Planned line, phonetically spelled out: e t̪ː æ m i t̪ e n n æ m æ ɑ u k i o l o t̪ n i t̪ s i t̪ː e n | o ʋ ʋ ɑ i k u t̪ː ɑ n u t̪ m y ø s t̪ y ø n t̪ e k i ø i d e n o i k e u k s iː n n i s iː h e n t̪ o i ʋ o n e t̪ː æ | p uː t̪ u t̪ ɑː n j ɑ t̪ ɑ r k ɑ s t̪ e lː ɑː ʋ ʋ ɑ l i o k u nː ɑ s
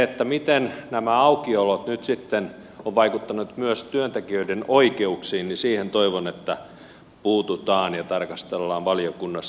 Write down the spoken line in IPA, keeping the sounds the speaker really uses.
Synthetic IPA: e t̪ː æ m i t̪ e n n æ m æ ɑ u k i o l o t̪ n y t̪ s i t̪ː e n | o ʋ ʋ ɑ i k u t̪ː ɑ n u t̪ m y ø s t̪ y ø n t̪ e k i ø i d e n o i k e u k s iː n n i s iː h e n t̪ o i ʋ o n e t̪ː æ | p uː t̪ u t̪ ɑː n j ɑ t̪ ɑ r k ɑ s t̪ e lː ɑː ʋ ʋ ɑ l i o k u nː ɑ s